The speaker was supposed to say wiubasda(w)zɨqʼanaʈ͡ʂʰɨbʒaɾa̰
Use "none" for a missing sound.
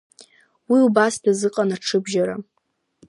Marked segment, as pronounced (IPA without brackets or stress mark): none